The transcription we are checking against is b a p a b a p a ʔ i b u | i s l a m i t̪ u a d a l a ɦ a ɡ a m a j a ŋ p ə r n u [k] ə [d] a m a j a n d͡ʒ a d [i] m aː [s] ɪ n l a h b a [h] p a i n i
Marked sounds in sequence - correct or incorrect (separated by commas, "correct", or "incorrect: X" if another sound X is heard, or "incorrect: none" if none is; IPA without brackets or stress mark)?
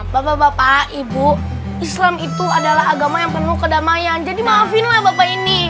correct, correct, correct, incorrect: f, incorrect: none